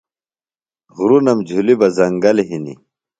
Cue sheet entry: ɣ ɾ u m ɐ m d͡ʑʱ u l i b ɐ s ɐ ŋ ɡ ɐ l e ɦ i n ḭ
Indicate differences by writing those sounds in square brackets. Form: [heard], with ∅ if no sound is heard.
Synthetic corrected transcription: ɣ ɾ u [n] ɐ m d͡ʑʱ u l i b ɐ [z] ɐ ŋ ɡ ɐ l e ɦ i n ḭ

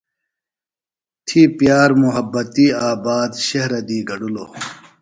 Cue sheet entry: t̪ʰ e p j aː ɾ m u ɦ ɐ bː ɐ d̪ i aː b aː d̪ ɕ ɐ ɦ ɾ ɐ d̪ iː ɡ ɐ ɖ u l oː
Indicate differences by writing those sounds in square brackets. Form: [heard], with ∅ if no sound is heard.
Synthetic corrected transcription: t̪ʰ [i] p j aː ɾ m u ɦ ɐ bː ɐ [t̪] i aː b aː d̪ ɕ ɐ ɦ ɾ ɐ d̪ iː ɡ ɐ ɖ u l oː

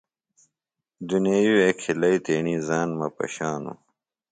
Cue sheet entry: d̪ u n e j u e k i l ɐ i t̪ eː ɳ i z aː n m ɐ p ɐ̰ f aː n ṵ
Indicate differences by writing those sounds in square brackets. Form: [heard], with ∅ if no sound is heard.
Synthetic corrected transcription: d̪ u n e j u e [kʰ] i l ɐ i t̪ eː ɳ i z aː n m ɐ p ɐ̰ [ɕ] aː n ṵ

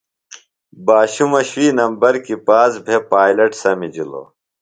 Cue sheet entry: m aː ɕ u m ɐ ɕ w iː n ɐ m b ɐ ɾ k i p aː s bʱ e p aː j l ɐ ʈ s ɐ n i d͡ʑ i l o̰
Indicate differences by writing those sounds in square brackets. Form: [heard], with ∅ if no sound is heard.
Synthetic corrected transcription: [b] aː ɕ u m ɐ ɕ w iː n ɐ m b ɐ ɾ k i p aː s bʱ e p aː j l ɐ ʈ s ɐ [m] i d͡ʑ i l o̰

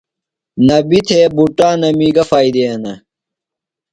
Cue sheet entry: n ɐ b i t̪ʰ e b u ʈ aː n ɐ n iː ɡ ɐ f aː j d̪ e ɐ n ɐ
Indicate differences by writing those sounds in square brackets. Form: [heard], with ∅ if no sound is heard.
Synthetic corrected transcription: n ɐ b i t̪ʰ e b u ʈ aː n ɐ [m] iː ɡ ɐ f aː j d̪ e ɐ n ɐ

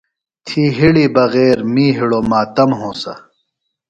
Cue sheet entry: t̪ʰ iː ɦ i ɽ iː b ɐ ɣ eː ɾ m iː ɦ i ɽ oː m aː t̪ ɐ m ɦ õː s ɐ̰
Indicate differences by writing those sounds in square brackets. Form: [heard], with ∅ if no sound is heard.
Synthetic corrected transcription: t̪ʰ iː ɦ i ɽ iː b ɐ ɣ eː ɾ m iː ɦ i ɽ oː m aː t̪ ɐ m ɦ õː s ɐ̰

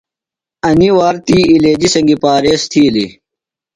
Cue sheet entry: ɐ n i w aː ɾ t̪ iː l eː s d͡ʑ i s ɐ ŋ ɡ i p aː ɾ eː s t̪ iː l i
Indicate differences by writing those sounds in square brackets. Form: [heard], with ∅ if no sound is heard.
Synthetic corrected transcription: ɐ n i w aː ɾ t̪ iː l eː [∅] d͡ʑ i s ɐ ŋ ɡ i p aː ɾ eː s [t̪ʰ] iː l i

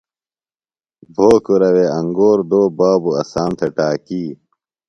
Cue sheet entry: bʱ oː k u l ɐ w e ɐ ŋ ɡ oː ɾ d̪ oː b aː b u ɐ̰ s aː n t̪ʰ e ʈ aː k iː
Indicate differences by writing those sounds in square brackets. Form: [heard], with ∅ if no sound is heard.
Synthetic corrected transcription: bʱ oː k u [ɾ] ɐ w e ɐ ŋ ɡ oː ɾ d̪ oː b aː b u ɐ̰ s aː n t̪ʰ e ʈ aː k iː

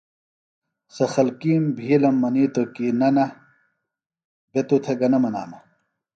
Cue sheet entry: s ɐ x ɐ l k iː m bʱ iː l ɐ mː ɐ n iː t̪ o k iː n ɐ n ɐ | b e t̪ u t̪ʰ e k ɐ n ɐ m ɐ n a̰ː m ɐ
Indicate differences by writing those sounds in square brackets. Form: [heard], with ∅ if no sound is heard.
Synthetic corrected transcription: s ɐ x ɐ l k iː m bʱ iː l ɐ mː ɐ n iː t̪ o k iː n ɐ n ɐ | b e t̪ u t̪ʰ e [ɡ] ɐ n ɐ m ɐ n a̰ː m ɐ

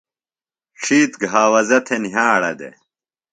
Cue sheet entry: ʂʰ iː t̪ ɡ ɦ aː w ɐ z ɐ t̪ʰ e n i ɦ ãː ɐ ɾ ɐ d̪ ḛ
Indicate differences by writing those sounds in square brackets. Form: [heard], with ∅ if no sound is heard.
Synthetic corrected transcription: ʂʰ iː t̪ ɡ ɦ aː w ɐ z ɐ t̪ʰ e n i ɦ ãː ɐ [ɽ] ɐ d̪ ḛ

